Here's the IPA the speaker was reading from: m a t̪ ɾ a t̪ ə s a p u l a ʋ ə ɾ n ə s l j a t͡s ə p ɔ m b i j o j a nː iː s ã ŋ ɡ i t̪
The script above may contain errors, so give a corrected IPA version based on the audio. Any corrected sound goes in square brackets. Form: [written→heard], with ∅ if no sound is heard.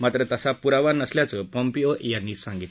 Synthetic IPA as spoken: m a t̪ ɾ [a→ə] t̪ ə s a p u [l→ɾ] a ʋ [ə→a] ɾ n ə s l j a t͡s ə p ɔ m [b→p] i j o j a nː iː s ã ŋ ɡ i t̪

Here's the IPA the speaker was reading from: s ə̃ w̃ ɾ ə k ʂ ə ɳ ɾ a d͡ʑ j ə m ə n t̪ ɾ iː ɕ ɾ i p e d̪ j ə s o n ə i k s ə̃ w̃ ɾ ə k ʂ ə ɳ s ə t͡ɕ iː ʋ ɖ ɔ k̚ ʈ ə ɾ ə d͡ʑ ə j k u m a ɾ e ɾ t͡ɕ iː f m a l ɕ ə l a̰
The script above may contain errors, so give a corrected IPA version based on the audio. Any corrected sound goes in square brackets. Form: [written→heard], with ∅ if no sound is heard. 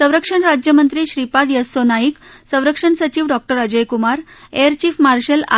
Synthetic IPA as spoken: s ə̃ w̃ ɾ ə k ʂ ə ɳ ɾ a d͡ʑ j ə m ə n t̪ ɾ iː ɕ ɾ i p [e→a] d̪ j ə s o n [ə→a] i k s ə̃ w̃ ɾ ə k ʂ ə ɳ s ə t͡ɕ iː ʋ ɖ ɔ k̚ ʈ ə ɾ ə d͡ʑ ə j k u m a ɾ e ɾ t͡ɕ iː f m a [l→ɾ] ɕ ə l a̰

